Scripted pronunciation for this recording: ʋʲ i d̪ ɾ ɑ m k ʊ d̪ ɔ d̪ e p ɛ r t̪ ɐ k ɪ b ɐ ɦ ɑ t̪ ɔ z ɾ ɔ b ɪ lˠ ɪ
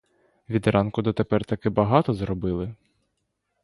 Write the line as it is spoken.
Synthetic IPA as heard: ʋʲ i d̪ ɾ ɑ n k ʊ d̪ ɔ t̪ e p ɛ r t̪ ɐ k ɪ b ɐ ɦ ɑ t̪ ɔ z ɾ ɔ b ɪ lˠ ɪ